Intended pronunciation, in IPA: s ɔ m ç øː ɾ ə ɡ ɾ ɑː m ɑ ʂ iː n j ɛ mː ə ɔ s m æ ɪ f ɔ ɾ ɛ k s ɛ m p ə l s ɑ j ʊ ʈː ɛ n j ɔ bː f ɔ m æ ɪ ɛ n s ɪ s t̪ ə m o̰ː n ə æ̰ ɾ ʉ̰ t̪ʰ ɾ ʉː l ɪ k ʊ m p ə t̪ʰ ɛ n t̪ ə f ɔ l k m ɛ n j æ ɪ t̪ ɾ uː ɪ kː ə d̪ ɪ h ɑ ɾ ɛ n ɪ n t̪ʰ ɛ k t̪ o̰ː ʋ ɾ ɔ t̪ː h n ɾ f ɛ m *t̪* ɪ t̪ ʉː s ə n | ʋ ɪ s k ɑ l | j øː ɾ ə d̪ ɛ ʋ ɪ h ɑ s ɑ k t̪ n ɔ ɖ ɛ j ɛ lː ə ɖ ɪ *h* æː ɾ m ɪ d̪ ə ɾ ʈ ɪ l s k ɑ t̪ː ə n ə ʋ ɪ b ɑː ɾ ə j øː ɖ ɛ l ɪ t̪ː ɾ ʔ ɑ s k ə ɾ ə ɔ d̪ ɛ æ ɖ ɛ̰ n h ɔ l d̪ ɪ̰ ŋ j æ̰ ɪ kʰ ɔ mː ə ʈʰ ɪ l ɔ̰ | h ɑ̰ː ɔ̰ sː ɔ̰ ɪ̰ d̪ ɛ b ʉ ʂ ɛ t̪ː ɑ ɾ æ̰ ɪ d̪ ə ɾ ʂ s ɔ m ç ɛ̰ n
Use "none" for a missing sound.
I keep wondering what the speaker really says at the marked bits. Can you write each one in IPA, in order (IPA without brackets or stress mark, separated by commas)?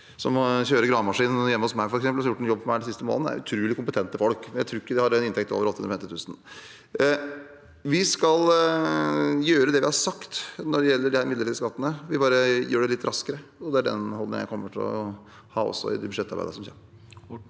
t̪, h